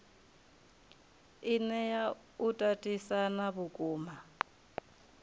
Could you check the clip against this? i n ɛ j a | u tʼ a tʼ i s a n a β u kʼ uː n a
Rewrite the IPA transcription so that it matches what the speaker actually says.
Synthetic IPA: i n ɛ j a | u tʼ a tʼ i s a n a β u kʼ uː m a